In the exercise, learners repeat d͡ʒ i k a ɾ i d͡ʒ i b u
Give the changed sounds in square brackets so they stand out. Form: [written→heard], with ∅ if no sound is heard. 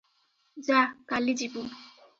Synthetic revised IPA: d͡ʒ [i→a] k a [ɾ→l] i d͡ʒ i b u